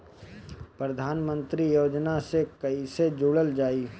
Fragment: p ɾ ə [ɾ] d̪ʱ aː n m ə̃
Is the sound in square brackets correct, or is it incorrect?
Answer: incorrect